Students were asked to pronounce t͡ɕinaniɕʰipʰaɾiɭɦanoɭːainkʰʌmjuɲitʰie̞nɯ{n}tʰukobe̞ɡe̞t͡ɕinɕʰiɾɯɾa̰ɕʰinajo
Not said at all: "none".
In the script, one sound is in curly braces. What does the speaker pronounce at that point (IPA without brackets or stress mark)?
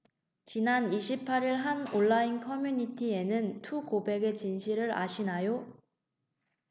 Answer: n